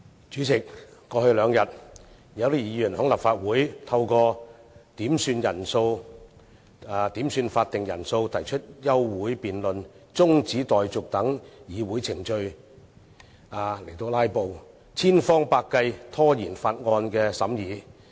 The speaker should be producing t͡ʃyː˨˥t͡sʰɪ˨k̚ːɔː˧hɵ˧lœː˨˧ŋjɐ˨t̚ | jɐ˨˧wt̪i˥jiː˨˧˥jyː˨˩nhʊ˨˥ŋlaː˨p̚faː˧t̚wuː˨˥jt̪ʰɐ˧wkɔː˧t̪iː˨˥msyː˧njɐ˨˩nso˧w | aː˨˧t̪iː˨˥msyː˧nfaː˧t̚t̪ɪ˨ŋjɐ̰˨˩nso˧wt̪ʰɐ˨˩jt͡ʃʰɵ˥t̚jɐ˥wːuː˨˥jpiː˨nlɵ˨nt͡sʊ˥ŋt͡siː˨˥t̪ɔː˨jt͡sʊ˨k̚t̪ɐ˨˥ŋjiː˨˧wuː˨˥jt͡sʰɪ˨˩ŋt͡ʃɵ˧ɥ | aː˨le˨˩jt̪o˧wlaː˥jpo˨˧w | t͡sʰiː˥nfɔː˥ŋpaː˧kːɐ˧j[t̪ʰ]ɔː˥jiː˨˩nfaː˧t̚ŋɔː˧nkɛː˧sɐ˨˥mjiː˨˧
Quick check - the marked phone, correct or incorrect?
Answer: correct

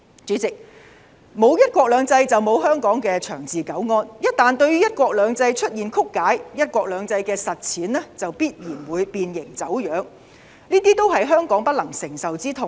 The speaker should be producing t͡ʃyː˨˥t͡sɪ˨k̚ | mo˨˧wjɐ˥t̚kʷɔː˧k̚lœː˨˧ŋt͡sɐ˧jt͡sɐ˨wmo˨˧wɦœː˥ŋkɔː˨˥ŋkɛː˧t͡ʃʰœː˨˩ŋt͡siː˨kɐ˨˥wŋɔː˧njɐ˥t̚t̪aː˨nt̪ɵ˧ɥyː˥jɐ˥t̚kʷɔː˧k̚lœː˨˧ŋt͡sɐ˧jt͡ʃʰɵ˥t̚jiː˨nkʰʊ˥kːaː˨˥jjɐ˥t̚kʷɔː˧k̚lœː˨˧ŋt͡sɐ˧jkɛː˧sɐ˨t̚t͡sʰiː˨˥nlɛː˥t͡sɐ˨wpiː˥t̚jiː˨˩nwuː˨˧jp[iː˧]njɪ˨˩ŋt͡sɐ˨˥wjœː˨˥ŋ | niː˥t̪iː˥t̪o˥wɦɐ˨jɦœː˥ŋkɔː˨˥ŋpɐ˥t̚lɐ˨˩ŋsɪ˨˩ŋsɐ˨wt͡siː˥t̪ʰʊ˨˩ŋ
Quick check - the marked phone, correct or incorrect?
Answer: correct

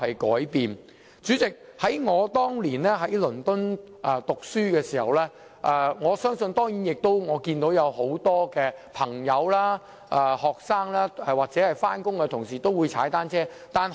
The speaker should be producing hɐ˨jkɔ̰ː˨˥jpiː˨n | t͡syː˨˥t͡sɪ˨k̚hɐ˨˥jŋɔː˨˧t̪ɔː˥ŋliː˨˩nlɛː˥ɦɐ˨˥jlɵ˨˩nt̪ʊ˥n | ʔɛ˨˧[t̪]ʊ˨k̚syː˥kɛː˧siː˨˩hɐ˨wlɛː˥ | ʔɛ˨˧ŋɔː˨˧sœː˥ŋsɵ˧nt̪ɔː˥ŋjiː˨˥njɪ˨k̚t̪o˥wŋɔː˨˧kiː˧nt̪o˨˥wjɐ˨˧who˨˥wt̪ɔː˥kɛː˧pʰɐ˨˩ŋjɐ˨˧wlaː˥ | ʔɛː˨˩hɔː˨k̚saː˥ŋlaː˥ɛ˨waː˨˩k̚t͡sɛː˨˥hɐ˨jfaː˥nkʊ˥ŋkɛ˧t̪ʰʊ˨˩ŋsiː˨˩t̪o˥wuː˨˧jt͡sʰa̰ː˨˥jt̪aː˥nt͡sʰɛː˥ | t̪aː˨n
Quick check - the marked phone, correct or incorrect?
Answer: correct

